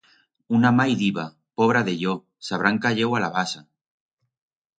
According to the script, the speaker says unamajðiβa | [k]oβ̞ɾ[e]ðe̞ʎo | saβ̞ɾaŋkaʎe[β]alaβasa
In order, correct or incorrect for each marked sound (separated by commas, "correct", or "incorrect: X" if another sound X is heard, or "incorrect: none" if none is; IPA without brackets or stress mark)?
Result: incorrect: p, incorrect: a, incorrect: w